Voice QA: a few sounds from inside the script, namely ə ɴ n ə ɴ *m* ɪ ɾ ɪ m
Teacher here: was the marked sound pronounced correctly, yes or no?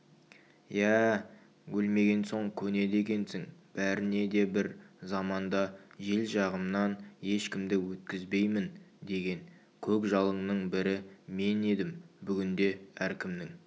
no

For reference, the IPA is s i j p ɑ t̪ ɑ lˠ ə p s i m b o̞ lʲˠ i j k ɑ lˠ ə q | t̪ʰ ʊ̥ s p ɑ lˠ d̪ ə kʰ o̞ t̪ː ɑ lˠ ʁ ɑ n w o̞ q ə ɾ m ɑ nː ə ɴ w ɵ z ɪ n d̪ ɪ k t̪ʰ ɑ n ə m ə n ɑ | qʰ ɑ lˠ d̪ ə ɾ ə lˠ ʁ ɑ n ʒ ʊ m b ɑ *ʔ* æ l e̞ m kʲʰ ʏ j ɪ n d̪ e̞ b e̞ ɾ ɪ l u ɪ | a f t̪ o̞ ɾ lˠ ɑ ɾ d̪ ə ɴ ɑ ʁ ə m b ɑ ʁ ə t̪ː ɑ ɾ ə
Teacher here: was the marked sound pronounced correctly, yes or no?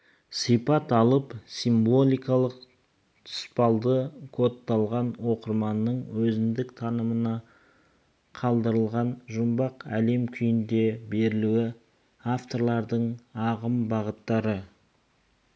no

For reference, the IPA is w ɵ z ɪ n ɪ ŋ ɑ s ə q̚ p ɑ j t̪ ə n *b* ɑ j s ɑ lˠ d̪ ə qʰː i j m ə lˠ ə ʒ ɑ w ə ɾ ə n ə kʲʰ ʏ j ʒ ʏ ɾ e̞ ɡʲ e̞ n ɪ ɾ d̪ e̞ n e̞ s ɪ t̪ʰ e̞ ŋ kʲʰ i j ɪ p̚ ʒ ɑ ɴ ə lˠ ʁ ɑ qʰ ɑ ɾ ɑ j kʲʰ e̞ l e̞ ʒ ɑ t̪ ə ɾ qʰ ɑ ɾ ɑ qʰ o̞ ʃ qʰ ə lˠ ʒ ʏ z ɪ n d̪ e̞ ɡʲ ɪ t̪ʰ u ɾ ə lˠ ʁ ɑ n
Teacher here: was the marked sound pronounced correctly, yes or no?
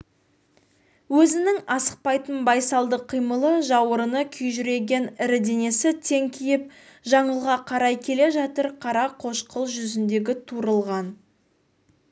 yes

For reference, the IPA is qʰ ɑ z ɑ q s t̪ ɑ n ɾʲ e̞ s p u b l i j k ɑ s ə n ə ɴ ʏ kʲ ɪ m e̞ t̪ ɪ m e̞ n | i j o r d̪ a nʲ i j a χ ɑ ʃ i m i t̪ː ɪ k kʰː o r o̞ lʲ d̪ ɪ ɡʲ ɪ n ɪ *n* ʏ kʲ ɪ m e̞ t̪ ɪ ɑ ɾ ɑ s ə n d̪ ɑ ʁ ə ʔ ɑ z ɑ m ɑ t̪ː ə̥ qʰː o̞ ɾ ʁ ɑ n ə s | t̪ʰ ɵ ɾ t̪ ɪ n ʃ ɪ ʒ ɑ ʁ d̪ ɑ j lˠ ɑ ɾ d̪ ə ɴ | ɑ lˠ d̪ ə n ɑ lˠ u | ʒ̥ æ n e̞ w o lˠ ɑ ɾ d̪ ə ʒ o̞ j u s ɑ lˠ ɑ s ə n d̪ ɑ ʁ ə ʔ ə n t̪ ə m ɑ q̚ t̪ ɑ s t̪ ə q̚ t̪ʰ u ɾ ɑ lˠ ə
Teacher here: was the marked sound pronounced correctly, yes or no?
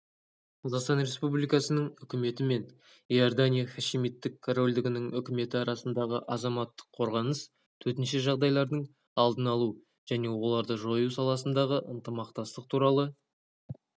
no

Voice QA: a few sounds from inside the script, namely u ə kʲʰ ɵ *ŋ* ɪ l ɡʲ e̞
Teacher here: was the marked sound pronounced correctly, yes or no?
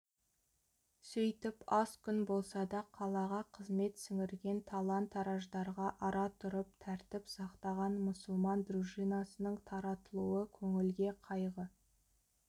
yes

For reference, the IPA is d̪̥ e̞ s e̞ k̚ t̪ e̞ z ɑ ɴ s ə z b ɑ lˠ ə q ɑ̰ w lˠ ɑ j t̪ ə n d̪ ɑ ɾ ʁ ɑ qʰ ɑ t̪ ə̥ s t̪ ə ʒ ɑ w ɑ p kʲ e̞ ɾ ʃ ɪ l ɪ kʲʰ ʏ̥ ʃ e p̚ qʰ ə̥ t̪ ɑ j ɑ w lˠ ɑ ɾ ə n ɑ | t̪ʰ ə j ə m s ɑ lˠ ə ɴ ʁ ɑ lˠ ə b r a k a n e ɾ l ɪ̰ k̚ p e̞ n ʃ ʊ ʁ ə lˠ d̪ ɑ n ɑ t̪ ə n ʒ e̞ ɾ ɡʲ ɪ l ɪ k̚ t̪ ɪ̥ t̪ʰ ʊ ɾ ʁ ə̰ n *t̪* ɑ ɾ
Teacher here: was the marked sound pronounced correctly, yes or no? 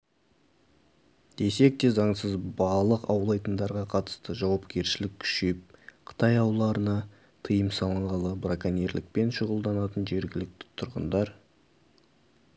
no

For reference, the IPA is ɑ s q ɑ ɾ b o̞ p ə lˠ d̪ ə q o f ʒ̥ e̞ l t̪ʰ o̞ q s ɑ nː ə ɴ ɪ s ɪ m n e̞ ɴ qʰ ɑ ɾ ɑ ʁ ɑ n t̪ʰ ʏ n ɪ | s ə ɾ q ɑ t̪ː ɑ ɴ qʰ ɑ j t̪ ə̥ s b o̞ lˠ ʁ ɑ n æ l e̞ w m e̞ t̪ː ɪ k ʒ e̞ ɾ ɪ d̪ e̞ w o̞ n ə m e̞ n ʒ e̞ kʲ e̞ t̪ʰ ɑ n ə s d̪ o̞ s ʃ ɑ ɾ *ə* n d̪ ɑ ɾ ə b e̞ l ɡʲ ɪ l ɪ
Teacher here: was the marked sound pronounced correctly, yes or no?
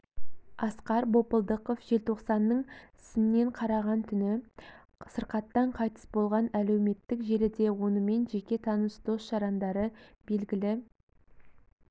no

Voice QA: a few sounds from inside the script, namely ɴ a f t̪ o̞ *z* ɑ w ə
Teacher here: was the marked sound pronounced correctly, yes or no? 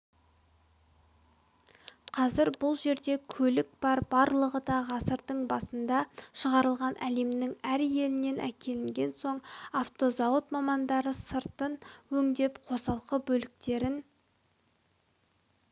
yes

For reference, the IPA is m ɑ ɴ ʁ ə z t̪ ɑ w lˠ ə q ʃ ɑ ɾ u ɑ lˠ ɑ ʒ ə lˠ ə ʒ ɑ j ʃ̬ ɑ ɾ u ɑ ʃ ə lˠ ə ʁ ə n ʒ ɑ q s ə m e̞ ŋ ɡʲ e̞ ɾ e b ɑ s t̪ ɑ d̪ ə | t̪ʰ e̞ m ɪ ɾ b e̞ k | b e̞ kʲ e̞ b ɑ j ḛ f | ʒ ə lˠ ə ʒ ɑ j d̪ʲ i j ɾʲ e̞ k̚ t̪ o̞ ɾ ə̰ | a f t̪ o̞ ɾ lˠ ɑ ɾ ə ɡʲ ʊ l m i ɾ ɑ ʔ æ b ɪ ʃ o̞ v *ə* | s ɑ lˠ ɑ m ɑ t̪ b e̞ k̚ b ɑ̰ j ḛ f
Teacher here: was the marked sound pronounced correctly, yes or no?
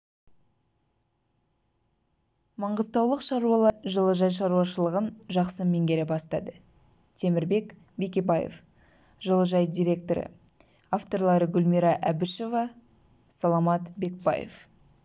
no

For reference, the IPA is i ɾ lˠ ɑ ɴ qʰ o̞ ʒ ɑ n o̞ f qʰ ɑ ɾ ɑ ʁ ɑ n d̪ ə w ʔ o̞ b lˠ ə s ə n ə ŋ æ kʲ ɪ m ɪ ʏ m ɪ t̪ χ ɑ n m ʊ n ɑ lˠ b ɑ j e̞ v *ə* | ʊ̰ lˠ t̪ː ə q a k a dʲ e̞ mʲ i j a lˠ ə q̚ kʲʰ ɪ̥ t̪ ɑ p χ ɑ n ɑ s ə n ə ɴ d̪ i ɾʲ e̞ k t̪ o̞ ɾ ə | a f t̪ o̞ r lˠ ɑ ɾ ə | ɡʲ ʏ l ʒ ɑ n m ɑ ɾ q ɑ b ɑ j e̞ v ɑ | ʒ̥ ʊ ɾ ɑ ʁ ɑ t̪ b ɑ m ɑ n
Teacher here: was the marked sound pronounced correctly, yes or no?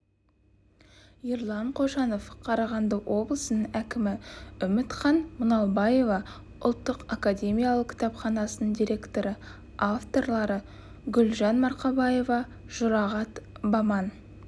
no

